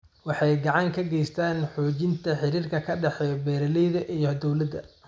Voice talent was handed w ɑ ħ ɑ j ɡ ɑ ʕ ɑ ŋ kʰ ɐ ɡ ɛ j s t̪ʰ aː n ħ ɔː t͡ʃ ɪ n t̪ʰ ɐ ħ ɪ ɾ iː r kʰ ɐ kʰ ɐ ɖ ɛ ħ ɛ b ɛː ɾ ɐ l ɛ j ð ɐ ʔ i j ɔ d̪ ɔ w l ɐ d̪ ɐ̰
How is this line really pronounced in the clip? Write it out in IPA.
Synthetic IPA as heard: w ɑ ħ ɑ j ɡ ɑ ʕ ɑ ŋ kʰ ɐ ɡ ɛ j s t̪ʰ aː n ħ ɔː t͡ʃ ɪ n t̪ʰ ɐ ħ ɪ ɾ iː r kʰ ɐ kʰ ɐ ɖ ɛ ħ ɛ b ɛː ɾ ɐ l ɛ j ð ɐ ʔ i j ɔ d̪ ɔ w l ɐ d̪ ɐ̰